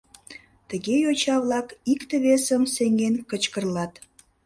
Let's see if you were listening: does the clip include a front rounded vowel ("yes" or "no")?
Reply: no